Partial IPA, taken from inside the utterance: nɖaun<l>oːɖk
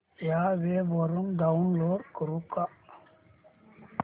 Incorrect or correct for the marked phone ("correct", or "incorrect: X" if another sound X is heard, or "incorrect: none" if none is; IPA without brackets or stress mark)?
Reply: correct